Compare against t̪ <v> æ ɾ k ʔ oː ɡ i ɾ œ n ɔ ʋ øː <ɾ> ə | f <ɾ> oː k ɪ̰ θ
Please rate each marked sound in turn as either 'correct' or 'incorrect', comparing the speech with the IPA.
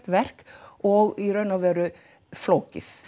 incorrect: ʋ, correct, incorrect: l

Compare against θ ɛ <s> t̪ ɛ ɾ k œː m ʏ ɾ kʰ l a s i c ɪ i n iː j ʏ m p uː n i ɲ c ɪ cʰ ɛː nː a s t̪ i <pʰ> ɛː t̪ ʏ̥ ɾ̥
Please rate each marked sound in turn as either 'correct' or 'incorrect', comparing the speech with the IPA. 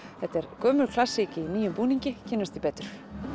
incorrect: h, incorrect: p

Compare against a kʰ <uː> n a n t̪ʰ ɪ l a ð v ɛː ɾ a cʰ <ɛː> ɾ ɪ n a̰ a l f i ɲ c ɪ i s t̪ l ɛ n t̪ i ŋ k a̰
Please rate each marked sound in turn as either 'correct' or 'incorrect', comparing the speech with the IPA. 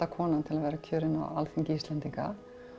incorrect: ɔː, incorrect: œː

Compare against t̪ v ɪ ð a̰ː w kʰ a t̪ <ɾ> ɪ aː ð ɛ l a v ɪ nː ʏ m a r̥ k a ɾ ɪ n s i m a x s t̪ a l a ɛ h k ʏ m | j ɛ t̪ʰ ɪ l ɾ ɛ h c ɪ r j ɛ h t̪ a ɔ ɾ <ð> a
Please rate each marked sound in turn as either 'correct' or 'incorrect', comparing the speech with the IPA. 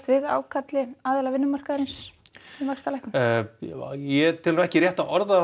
incorrect: l, correct

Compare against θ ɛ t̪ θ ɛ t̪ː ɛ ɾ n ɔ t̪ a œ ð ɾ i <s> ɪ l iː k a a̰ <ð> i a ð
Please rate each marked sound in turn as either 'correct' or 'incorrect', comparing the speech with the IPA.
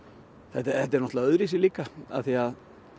correct, incorrect: θ

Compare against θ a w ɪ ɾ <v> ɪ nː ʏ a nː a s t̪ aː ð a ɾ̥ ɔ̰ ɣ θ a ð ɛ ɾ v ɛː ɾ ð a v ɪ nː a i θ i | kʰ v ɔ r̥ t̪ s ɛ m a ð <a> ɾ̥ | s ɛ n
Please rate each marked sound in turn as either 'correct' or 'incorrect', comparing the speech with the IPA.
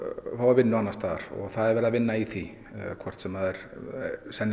correct, incorrect: ɛ

